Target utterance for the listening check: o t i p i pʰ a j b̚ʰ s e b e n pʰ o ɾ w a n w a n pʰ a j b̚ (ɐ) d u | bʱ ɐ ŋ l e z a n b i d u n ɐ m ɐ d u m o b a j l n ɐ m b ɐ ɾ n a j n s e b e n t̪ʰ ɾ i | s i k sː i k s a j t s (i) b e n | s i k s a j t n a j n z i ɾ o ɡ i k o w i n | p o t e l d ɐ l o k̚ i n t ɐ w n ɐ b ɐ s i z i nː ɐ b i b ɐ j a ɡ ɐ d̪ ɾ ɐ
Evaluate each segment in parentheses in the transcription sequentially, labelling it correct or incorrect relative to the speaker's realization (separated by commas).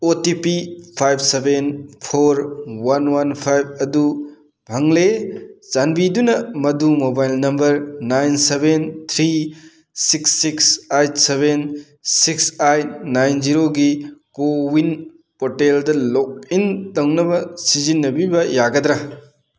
correct, incorrect